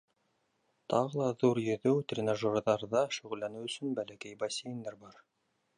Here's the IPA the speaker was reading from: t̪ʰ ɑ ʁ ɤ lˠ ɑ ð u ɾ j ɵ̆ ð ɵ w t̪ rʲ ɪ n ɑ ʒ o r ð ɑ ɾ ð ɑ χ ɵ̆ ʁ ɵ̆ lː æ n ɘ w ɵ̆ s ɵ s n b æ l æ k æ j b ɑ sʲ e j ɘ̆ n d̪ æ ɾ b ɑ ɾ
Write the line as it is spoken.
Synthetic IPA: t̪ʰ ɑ ʁ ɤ lˠ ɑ ð u ɾ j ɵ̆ ð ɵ w t̪ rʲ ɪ n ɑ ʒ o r ð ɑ ɾ ð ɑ ʃ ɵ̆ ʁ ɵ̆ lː æ n ɘ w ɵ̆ s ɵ n b æ l æ k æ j b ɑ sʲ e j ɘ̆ n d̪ æ ɾ b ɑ ɾ